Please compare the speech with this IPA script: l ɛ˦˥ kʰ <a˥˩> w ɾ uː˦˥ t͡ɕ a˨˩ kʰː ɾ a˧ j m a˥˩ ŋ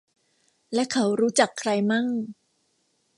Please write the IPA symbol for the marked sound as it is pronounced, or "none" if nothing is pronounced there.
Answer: a˦˥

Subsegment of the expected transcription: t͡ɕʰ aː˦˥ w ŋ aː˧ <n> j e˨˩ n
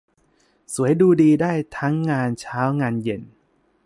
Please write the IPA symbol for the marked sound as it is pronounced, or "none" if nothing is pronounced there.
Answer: n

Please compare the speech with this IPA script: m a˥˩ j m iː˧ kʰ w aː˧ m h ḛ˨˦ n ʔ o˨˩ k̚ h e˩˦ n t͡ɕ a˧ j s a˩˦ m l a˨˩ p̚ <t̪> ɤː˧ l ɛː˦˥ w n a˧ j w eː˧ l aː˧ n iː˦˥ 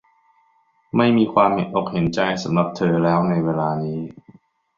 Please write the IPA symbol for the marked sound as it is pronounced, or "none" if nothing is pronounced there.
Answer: t̪ʰ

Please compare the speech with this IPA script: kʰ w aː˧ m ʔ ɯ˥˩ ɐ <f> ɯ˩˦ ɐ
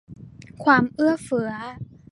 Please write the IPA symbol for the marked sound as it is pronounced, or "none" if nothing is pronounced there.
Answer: f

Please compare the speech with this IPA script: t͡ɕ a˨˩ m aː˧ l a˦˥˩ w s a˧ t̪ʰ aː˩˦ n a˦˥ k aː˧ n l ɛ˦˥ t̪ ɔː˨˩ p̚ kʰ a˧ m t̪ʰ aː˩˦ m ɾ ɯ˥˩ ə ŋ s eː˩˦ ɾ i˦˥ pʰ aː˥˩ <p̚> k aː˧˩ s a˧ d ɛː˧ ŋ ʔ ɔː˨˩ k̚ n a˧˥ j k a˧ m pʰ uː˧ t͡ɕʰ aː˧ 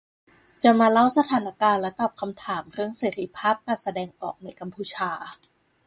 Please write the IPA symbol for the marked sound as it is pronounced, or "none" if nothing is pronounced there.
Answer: p̚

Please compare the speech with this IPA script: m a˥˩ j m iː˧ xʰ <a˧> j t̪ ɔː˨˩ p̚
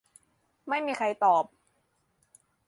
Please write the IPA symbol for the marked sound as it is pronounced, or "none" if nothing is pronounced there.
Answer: a˧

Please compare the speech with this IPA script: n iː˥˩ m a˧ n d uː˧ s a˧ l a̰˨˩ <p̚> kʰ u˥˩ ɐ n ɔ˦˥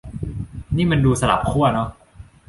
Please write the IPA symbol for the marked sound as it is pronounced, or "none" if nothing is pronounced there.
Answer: p̚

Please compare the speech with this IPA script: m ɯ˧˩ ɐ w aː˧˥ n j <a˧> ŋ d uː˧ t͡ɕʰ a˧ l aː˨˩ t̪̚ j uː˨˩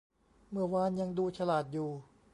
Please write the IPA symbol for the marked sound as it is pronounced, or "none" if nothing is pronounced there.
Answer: a˧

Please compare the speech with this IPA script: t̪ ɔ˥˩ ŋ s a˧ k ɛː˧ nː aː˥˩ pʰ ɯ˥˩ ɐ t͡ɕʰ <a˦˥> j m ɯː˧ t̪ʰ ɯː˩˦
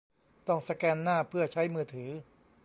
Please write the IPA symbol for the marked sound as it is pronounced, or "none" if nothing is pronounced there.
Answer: a˦˥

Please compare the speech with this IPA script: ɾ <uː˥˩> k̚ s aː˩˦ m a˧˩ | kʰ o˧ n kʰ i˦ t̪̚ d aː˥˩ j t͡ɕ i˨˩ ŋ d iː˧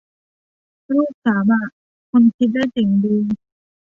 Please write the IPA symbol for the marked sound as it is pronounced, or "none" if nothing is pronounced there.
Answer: uː˥˩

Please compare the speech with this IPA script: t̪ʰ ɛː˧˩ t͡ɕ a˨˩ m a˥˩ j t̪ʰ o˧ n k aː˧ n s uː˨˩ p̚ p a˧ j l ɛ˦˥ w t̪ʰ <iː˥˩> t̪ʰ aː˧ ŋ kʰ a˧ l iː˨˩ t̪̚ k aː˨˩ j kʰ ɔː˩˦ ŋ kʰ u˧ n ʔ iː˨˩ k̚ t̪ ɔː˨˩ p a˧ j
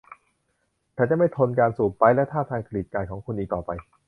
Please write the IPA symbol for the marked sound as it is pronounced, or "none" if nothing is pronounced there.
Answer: aː˥˩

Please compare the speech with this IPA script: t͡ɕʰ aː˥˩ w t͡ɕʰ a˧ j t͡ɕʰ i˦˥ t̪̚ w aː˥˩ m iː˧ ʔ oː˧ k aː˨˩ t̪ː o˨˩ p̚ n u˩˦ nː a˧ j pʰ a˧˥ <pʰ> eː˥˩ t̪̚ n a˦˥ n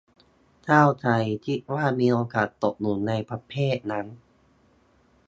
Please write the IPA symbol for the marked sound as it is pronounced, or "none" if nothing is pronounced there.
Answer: pʰ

